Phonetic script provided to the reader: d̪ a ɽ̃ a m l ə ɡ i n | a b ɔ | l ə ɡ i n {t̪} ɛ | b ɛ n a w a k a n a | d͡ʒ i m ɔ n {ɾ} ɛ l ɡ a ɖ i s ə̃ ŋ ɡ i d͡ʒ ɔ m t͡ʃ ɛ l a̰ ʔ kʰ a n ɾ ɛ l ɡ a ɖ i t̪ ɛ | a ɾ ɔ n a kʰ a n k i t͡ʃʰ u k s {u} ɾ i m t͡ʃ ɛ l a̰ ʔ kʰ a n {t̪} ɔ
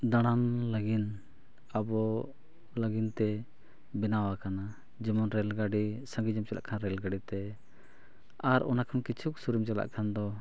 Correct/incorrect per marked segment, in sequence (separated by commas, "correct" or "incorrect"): correct, correct, correct, incorrect